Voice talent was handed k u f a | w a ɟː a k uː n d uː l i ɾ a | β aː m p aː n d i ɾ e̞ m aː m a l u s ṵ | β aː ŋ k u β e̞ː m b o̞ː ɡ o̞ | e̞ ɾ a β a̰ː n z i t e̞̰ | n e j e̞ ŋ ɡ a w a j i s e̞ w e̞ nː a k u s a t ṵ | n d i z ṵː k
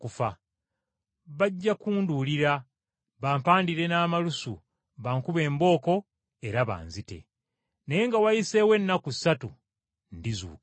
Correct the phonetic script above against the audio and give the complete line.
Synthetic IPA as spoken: k u f a | β a ɟː a k uː n d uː l i ɾ a | β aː m p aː n d i ɾ e̞ n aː m a l u s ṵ | β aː ŋ k u β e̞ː m b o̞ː k o̞ | e̞ ɾ a β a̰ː n z i t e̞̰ | n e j e̞ ŋ ɡ a w a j i s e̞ w e̞ nː a k u s a t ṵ | n d i z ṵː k

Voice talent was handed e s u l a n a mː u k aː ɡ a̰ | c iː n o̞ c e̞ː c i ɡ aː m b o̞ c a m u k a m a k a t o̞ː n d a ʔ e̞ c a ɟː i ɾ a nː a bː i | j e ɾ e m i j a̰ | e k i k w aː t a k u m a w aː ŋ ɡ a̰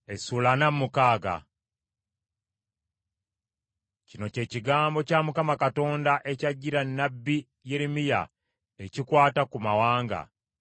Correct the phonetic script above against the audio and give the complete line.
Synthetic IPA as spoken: e s u l a n a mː u k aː ɡ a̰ | c i n o̞ c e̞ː c i ɡ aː m b o̞ c a m u k a m a k a t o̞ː n d a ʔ e̞ c a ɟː i ɾ a nː a bː i | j e ɾ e m i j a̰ | e c i k w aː t a k u m a w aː ŋ ɡ a̰

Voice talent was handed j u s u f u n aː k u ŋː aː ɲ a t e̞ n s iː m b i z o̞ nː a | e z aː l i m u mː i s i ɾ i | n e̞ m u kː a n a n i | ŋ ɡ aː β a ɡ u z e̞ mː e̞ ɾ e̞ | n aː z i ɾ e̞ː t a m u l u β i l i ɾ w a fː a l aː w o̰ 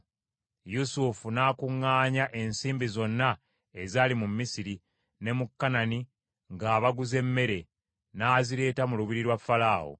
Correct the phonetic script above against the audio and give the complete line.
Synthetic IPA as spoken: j u s u f u n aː k u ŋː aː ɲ a ʔ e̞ n s iː m b i z o̞ nː a | e z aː l i m u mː i s i ɾ i | n e̞ m u kː a n a n i | ŋ ɡ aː β a ɡ u z e̞ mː e̞ ɾ e̞ | n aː z i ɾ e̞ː t a m u l u β i ɾ i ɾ w a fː a l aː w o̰

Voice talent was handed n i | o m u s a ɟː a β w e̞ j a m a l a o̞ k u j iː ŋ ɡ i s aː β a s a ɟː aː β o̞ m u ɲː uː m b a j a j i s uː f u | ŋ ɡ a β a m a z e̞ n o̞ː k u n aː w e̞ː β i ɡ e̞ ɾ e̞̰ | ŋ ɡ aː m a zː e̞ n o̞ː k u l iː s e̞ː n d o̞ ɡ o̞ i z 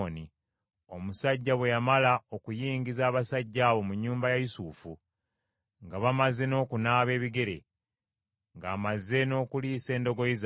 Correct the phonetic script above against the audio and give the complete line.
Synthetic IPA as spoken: n i | o m u s a ɟː a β w e̞ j a m a l a o̞ k u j iː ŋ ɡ i z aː β a s a ɟː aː β o̞ m u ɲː uː m b a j a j i s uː f u | ŋ ɡ a β a m a z e̞ n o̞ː k u n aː β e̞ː β i ɡ e̞ ɾ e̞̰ | ŋ ɡ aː m a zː e̞ n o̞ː k u l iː s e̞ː n d o̞ ɡ o̞ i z

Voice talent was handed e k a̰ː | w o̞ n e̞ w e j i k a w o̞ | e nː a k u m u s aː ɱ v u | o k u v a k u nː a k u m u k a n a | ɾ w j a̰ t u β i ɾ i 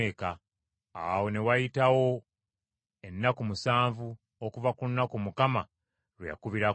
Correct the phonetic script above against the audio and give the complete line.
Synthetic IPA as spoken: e k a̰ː | w o̞ n e̞ w a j i t a w o̞ | e nː a k u m u s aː ɱ v u | o k u v a k u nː a k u m u k a m a | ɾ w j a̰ k u β i ɾ a

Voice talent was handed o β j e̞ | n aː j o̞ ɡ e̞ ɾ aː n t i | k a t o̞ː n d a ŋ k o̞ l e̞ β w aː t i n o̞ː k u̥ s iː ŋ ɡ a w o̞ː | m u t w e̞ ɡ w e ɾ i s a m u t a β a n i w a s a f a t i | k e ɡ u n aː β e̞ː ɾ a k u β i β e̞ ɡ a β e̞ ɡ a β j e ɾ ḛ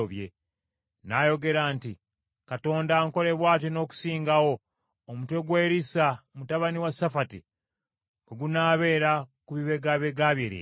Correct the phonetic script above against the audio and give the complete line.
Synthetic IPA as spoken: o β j e̞ | n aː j o̞ ɡ e̞ ɾ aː n t i | k a t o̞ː n d a ŋ k o̞ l e̞ β w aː t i n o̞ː k u̥ s iː ŋ ɡ a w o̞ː | m u t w e̞ ɡ w e ɾ i s a m u t a β a n i w a s a f a t i | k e ɡ u n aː β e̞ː ɾ a k u β i β e̞ ɡ a β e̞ ɡ a β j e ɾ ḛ

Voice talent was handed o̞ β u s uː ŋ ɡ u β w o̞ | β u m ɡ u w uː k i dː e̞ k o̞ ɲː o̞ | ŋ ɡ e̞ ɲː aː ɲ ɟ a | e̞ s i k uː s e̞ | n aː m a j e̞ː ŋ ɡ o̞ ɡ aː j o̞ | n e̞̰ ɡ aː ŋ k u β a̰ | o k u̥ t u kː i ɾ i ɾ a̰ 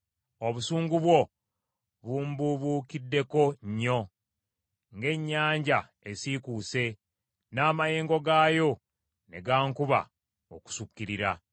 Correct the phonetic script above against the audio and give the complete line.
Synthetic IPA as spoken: o̞ β u s uː ŋ ɡ u β w o̞ | β u m b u β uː k i dː e̞ k o̞ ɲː o̞ | ŋ ɡ e̞ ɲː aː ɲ ɟ a | e̞ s i k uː s e̞ | n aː m a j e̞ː ŋ ɡ o̞ ɡ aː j o̞ | n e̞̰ ɡ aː ŋ k u β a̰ | o k u̥ s u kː i ɾ i ɾ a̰

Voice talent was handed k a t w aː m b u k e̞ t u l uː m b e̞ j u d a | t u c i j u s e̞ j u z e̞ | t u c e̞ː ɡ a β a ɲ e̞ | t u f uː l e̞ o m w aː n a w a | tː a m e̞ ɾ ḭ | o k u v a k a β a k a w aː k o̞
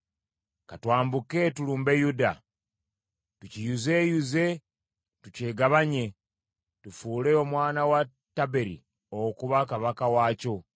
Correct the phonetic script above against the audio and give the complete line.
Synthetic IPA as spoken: k a t w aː m b u k e̞ t u l uː m b e̞ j u d a | t u c i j u z e̞ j u z e̞ | t u c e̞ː ɡ a β a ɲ e̞ | t u f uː l e̞ o m w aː n a w a | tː a b e̞ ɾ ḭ | o k u β a k a β a k a w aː c o̞

